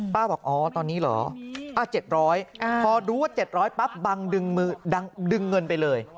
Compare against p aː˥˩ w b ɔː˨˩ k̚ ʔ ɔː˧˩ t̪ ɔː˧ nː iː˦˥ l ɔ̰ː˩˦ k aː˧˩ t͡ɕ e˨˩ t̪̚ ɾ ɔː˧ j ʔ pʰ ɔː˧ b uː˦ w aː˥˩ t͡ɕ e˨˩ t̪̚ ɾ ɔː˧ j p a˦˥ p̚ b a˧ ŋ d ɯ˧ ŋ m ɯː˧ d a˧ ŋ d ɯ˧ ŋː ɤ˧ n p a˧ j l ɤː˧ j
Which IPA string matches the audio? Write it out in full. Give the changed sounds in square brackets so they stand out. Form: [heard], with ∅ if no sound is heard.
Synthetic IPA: p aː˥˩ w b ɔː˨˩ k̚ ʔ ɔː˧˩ t̪ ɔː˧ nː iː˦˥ l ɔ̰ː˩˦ [ʔ] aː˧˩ t͡ɕ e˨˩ t̪̚ ɾ [ɔː˦˥] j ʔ pʰ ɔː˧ [d] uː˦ w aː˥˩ t͡ɕ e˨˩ t̪̚ ɾ [ɔː˦˥] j p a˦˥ p̚ b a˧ ŋ d ɯ˧ ŋ m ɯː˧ d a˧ ŋ d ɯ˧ ŋː ɤ˧ n p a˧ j l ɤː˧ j